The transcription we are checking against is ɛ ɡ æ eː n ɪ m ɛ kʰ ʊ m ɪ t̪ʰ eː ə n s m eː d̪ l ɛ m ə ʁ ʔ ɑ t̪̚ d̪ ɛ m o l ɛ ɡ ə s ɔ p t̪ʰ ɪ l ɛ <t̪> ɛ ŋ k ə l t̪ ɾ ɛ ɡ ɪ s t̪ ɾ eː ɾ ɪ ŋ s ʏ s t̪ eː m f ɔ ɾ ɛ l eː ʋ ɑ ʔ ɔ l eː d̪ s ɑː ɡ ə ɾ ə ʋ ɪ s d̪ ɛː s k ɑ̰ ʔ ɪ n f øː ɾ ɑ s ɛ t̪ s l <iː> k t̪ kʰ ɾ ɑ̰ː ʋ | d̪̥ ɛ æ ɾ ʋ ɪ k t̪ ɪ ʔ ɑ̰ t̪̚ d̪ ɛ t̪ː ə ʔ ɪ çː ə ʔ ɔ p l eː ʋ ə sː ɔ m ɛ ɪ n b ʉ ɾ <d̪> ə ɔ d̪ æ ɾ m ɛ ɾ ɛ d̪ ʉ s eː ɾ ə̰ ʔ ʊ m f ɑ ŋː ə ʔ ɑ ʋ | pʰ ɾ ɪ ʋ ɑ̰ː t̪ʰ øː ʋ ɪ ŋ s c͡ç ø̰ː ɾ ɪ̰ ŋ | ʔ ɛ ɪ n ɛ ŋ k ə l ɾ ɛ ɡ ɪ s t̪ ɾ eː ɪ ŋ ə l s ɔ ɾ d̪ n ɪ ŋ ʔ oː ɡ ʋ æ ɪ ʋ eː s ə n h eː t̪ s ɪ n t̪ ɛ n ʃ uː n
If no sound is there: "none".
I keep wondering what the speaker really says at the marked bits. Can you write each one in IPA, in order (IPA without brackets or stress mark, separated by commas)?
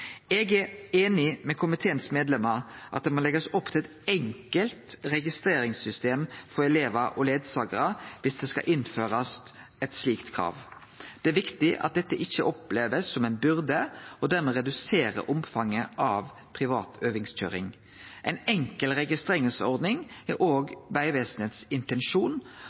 t̪, iː, d̪